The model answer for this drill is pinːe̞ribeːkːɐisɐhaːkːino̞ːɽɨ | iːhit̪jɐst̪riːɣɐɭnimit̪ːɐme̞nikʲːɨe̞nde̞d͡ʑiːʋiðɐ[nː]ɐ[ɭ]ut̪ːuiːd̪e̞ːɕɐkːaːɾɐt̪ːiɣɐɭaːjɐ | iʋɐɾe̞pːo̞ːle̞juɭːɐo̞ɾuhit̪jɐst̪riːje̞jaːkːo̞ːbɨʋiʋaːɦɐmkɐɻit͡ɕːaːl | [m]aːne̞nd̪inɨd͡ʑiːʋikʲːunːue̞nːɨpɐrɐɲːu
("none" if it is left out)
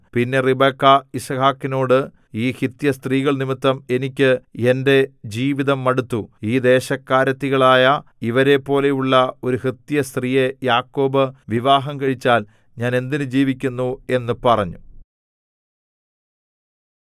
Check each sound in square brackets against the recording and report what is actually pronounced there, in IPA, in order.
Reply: mː, ɽ, ɲ

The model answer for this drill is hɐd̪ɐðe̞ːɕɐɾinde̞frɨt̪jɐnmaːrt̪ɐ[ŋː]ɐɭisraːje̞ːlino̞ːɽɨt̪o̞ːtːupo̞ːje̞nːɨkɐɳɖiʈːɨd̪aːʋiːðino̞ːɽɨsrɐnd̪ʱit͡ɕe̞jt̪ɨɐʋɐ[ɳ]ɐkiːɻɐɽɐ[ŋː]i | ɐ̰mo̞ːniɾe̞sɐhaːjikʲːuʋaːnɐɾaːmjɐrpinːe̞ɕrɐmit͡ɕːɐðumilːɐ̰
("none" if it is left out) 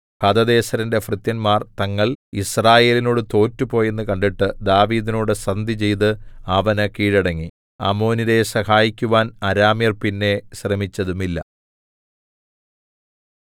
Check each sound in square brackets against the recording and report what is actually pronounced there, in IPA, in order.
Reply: ŋː, n, ŋː

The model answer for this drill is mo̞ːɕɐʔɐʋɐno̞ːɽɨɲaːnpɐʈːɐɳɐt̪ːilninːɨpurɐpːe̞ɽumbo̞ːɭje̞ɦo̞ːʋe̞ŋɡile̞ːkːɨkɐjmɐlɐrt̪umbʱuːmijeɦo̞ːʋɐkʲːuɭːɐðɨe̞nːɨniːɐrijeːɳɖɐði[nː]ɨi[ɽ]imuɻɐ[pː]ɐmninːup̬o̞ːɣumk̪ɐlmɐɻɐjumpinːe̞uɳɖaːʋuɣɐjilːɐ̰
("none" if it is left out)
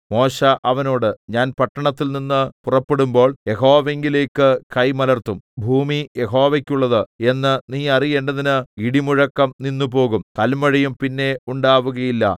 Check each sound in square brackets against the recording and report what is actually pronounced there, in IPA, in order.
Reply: n, ɽ, kː

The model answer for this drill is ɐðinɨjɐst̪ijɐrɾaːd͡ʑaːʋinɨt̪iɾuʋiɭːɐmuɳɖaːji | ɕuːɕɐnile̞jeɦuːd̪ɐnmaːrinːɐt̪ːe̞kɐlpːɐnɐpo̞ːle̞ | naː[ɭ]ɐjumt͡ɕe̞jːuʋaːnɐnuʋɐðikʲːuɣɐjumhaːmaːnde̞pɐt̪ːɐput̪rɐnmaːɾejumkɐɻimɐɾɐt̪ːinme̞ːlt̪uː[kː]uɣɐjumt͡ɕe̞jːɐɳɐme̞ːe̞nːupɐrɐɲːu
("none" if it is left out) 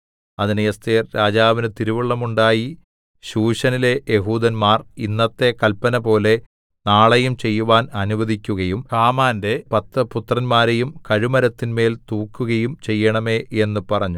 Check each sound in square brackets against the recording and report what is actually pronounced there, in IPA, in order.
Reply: ɭ, kː

